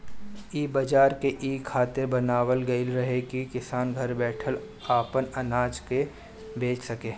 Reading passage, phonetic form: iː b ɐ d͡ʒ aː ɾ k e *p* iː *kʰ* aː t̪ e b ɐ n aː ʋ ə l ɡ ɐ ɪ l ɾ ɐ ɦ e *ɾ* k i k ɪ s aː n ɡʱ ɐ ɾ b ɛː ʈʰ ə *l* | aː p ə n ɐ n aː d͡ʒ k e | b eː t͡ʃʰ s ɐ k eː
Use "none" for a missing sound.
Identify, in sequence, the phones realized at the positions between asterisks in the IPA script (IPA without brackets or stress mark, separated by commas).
ʔ, kʰ, none, l